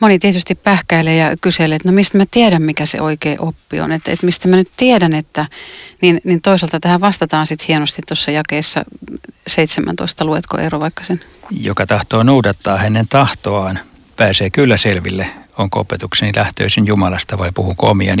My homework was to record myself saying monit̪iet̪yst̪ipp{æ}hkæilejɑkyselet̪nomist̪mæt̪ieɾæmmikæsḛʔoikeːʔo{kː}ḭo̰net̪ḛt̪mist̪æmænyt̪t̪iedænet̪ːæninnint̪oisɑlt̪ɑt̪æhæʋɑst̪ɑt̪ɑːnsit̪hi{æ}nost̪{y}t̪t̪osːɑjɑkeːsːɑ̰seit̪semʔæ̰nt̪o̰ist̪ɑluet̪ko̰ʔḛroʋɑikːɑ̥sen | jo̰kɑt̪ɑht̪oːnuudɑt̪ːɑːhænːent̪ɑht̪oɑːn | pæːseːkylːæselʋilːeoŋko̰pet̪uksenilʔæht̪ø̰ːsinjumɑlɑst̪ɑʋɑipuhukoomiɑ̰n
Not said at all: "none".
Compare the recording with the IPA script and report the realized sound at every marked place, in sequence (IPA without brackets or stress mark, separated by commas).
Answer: æ, pː, e, i